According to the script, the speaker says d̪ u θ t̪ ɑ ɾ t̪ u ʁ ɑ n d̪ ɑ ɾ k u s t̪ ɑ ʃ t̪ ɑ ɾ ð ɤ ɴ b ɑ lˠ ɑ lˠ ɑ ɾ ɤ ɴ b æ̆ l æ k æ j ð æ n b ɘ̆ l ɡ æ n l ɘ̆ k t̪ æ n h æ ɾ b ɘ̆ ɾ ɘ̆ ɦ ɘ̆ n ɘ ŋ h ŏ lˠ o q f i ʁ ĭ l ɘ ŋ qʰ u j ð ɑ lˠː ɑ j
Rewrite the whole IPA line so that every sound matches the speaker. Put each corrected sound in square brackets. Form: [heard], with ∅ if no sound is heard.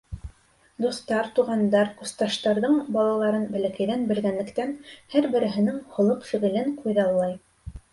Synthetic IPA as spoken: d̪ u θ t̪ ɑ ɾ t̪ u ʁ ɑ n d̪ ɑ ɾ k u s t̪ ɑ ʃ t̪ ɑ ɾ ð ɤ ɴ b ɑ lˠ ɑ lˠ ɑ ɾ ɤ [n] b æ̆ l æ k æ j ð æ n b ɘ̆ l ɡ æ n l ɘ̆ k t̪ æ n h æ ɾ b ɘ̆ ɾ ɘ̆ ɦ ɘ̆ n ɘ ŋ h ŏ lˠ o q f i ʁ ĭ l ɘ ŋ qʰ u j ð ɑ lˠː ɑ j

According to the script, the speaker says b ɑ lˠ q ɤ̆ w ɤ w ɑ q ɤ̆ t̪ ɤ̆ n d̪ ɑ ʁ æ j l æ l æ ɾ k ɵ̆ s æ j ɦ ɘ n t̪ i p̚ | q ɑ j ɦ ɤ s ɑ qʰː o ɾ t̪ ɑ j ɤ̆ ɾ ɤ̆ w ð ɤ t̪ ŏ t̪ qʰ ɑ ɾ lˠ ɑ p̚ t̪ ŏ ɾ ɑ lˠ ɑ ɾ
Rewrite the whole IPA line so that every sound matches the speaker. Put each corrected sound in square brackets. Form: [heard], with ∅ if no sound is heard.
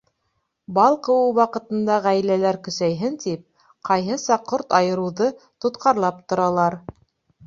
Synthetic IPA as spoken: b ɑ lˠ q ɤ̆ w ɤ w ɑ q ɤ̆ t̪ ɤ̆ n d̪ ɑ ʁ æ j l æ l æ ɾ k ɵ̆ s æ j ɦ ɘ n t̪ i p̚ | q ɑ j ɦ ɤ s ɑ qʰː o ɾ t̪ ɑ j ɤ̆ ɾ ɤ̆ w ð ɤ t̪ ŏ t̪ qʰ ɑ ɾ lˠ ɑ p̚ t̪ ŏ ɾ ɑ lˠ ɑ ɾ

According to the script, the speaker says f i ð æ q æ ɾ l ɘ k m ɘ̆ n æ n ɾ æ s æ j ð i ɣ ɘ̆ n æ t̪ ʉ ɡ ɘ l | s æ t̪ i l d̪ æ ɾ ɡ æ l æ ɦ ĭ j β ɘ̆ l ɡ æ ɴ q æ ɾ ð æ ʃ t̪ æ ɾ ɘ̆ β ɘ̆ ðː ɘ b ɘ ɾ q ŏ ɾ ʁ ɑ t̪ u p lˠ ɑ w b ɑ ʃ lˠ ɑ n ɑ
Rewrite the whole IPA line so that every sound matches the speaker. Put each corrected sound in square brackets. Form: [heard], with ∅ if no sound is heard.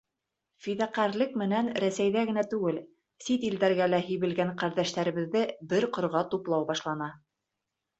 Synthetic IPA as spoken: f i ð æ q æ ɾ l ɘ k m ɘ̆ n æ n ɾ æ s æ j ð [æ] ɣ ɘ̆ n æ t̪ ʉ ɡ ɘ l | s [i] t̪ i l d̪ æ ɾ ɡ æ l æ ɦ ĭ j β ɘ̆ l ɡ æ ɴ q æ ɾ ð æ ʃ t̪ æ ɾ ɘ̆ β ɘ̆ ðː ɘ b ɘ ɾ q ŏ ɾ ʁ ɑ t̪ u p lˠ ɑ w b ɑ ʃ lˠ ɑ n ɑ

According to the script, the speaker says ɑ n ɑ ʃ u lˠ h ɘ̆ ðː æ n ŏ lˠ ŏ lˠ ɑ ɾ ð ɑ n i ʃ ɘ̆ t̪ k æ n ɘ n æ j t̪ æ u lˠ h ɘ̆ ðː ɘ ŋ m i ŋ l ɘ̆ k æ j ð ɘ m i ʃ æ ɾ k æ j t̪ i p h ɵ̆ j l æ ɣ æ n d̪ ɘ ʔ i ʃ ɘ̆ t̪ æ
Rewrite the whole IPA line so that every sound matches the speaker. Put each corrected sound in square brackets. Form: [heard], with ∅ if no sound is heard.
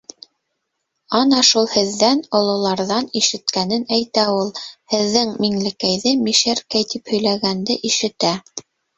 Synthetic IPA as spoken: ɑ n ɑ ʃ u lˠ h ɘ̆ ðː æ n ŏ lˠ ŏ lˠ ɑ ɾ ð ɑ n i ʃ ɘ̆ t̪ k æ n ɘ n æ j t̪ æ u lˠ h ɘ̆ ðː ɘ ŋ m i ŋ l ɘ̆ k æ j ð ɘ m i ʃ æ ɾ k æ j t̪ i p h ɵ̆ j l æ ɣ æ n d̪ ɘ ʔ i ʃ ɘ̆ t̪ æ

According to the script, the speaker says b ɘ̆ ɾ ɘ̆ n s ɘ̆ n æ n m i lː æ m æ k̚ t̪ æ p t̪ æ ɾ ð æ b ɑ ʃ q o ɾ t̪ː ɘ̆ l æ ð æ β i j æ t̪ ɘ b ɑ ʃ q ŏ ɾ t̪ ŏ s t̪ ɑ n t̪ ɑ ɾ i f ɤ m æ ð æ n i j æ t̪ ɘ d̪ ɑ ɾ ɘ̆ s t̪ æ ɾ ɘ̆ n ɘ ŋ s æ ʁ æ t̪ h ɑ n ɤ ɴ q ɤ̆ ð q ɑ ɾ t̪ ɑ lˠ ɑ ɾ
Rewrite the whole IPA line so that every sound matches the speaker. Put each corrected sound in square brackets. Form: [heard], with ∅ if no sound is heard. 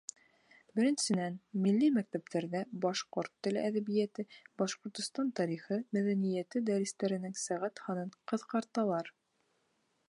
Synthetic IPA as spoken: b ɘ̆ ɾ ɘ̆ n s ɘ̆ n æ n m i lː [i] m æ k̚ t̪ æ p t̪ æ ɾ ð æ b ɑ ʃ q o ɾ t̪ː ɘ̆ l æ ð æ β i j æ t̪ ɘ b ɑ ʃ q ŏ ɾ t̪ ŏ s t̪ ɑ n t̪ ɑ ɾ i [χ] ɤ m æ ð æ n i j æ t̪ ɘ d̪ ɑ ɾ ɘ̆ s t̪ æ ɾ ɘ̆ n ɘ ŋ s æ ʁ æ t̪ h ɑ n ɤ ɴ q ɤ̆ ð q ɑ ɾ t̪ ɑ lˠ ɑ ɾ

